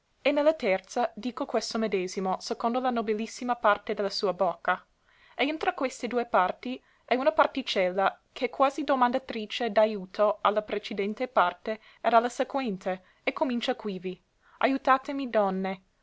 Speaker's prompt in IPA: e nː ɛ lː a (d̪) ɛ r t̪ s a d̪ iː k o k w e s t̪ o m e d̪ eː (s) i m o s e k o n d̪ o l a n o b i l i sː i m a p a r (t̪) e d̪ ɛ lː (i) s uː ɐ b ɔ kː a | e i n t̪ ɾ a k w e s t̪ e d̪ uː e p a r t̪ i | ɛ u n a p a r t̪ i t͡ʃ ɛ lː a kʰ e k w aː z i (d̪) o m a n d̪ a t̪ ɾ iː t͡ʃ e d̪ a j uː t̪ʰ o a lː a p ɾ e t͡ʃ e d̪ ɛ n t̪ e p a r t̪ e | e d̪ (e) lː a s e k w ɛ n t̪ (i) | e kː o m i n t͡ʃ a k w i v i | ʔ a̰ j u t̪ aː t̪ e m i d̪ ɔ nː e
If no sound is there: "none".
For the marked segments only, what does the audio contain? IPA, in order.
t̪, z, t̪, a, d̪, a, e

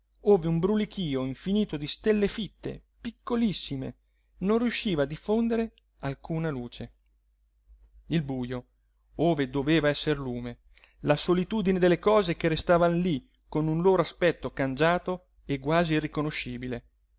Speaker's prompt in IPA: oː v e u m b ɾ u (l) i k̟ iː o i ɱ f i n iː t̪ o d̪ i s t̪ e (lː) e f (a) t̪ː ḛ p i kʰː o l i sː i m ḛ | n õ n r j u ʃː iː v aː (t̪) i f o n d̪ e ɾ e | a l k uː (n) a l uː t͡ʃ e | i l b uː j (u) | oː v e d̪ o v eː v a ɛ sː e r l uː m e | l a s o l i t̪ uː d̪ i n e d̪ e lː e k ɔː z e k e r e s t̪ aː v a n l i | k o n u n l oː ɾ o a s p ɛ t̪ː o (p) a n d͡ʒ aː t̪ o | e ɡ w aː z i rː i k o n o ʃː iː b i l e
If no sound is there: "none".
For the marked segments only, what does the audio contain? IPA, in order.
l, lː, i, d̪, n, o, k

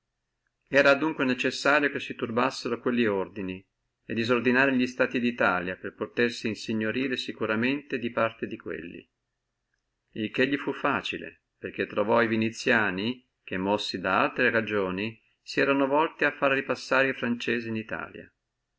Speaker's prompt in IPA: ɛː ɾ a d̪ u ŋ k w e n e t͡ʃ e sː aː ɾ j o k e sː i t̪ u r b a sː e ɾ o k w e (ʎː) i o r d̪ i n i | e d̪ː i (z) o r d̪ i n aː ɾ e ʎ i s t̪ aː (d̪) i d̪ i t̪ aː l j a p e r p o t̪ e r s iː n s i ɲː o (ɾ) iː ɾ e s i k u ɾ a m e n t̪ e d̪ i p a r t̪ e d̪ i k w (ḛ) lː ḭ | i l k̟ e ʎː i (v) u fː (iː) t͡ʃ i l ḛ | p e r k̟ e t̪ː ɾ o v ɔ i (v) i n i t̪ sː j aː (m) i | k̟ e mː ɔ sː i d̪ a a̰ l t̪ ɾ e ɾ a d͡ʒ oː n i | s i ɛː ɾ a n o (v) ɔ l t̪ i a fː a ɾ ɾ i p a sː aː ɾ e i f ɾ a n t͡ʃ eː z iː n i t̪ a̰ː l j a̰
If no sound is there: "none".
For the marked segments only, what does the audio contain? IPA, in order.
lː, z, t̪, ɾ, ḛ, f, aː, v, n, v

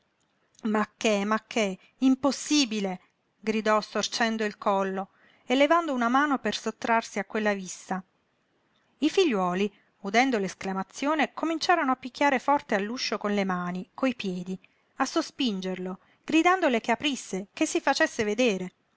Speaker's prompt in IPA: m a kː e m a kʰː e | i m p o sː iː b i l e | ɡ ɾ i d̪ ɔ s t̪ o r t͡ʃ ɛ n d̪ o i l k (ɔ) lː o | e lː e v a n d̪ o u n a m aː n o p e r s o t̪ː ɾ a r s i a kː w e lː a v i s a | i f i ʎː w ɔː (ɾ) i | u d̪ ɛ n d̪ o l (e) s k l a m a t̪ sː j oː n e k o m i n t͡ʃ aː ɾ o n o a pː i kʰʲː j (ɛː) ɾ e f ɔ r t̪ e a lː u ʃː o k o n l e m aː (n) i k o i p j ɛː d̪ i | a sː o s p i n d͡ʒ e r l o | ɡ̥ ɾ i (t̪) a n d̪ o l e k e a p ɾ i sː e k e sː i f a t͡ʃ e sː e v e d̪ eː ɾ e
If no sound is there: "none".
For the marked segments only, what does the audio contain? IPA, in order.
ɔ, l, e, aː, n, d̪

